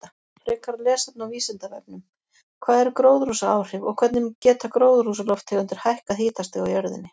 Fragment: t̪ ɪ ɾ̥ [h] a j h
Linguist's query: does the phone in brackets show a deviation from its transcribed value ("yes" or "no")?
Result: no